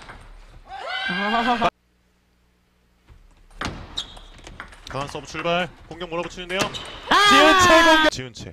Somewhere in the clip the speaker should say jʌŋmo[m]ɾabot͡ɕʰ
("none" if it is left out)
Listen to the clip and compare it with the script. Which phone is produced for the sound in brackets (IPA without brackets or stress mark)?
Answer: none